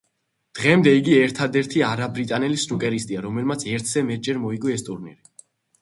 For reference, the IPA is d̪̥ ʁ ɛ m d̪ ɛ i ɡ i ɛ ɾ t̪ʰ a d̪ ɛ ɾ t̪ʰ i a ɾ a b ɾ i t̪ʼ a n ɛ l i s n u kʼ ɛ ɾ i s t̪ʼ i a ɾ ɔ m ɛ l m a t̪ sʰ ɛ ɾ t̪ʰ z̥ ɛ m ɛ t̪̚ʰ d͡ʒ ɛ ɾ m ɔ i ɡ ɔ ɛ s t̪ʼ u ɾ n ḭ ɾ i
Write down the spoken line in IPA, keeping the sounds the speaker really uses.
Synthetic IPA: d̪̥ ʁ ɛ m d̪ ɛ i ɡ i ɛ ɾ t̪ʰ a d̪ ɛ ɾ t̪ʰ i a ɾ a b ɾ i t̪ʼ a n ɛ l i s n u kʼ ɛ ɾ i s t̪ʼ i a ɾ ɔ m ɛ l m a t̪ sʰ ɛ ɾ t̪ʰ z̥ ɛ m ɛ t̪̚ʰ d͡ʒ ɛ ɾ m ɔ i ɡ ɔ ɛ s t̪ʼ u ɾ n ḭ ɾ i